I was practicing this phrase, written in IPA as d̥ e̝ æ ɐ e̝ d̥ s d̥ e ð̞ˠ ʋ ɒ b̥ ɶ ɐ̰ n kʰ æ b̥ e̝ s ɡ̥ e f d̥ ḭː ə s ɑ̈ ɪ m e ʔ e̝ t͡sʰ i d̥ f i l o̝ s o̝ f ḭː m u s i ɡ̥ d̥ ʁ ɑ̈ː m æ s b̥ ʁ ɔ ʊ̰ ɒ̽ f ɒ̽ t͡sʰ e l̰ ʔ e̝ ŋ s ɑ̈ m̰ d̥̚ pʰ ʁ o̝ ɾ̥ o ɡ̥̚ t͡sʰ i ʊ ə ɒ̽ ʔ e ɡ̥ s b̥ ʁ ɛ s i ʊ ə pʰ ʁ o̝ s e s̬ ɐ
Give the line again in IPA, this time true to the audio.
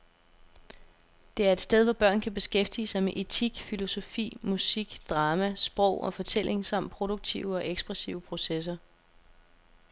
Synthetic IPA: d̥ e̝ æ ɐ e̝ d̥ s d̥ e ð̞ˠ ʋ ɒ b̥ ɶ ɐ̰ n kʰ æ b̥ e̝ s ɡ̥ e f d̥ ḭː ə s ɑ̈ ɪ m e ʔ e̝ t͡sʰ i ɡ̥ f i l o̝ s o̝ f ḭː m u s i ɡ̥ d̥ ʁ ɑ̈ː m æ s b̥ ʁ ɔ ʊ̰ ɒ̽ f ɒ̽ t͡sʰ e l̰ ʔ e̝ ŋ s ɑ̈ m̰ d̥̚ pʰ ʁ o̝ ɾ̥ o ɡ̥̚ t͡sʰ i ʊ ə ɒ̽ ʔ e ɡ̥ s b̥ ʁ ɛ s i ʊ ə pʰ ʁ o̝ s e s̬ ɐ